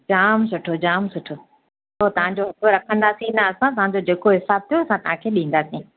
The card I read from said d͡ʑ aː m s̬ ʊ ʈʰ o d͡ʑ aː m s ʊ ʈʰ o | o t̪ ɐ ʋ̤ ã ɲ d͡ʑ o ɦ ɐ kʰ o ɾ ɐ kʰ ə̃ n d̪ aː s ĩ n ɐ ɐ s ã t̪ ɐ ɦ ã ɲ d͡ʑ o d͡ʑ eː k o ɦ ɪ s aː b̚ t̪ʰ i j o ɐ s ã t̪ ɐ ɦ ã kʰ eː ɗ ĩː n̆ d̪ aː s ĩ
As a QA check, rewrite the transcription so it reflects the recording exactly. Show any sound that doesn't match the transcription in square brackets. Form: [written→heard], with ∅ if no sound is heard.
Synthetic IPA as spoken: d͡ʑ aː m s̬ ʊ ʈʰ o d͡ʑ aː m s ʊ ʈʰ o | o t̪ ɐ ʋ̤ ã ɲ d͡ʑ o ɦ ɐ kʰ o ɾ ɐ kʰ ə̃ n d̪ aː s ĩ n ɐ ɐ s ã t̪ ɐ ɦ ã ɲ d͡ʑ o d͡ʑ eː k o ɦ ɪ s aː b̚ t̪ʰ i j o ɐ s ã t̪ ɐ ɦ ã kʰ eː ɗ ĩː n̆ d̪ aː s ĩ